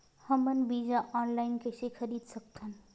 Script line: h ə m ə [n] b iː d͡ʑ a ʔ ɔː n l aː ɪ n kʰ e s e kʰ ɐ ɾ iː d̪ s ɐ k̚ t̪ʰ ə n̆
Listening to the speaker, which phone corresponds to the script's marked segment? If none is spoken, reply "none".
n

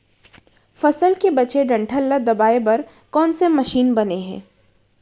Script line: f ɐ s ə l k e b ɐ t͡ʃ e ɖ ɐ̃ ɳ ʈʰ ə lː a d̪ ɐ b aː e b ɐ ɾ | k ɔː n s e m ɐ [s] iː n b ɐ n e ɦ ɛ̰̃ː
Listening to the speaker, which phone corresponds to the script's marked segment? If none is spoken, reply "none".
ʃ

